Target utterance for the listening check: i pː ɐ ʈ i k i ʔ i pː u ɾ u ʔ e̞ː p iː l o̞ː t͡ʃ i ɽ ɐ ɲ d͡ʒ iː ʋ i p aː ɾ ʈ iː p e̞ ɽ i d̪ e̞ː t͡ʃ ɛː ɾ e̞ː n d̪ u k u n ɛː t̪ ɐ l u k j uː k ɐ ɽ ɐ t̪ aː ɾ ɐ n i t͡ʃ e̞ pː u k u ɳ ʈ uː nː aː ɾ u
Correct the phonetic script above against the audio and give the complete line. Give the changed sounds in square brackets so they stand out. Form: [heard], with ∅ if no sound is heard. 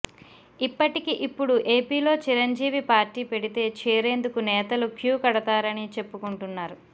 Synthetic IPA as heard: i pː ɐ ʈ i k i ʔ i pː u [ɽ] u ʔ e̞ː p iː l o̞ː t͡ʃ i [ɾ] ɐ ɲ d͡ʒ iː ʋ i p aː ɾ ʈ iː p e̞ ɽ i [t̪] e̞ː t͡ʃ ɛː ɾ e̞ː n d̪ u k u n ɛː t̪ ɐ l u k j uː k ɐ ɽ ɐ t̪ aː ɾ ɐ n i t͡ʃ e̞ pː u k u ɳ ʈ [u] nː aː ɾ u